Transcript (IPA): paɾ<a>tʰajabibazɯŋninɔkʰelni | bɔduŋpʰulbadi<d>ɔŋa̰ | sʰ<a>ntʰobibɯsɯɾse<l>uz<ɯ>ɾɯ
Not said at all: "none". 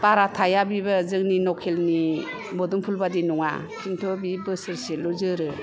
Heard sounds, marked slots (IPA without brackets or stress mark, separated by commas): a, n, i, l, ɯ